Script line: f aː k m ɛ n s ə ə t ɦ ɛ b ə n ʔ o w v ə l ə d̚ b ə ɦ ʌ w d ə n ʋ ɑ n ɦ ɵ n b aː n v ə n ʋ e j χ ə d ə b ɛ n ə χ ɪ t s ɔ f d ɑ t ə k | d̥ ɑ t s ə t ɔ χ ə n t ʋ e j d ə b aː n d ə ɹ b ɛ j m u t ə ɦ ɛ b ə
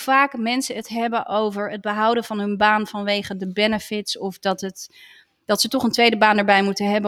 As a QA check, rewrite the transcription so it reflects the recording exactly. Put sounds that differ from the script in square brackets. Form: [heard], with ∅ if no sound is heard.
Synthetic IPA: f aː k m ɛ n s ə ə t ɦ ɛ b ə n ʔ o w v ə [ɹ] ə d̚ b ə ɦ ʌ w d ə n [v] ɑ n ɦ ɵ n b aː n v [ɑ] n ʋ e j χ ə d ə b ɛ n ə [f] ɪ t s ɔ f d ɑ t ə [t] | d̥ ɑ t s ə t ɔ χ ə n t ʋ e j d ə b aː n d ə ɹ b ɛ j m u t ə ɦ ɛ b ə